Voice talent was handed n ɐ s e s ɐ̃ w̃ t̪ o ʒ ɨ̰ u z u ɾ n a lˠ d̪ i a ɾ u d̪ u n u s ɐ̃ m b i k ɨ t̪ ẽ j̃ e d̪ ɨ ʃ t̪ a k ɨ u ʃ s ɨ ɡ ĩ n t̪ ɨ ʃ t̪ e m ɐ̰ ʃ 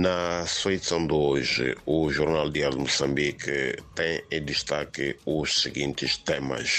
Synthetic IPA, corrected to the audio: n ɐ s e s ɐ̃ w̃ d̪ o ʒ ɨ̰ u ʒ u ɾ n a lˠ d̪ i a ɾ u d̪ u m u s ɐ̃ m b i k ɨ t̪ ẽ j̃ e d̪ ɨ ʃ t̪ a k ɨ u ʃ s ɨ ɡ ĩ n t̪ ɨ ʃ t̪ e m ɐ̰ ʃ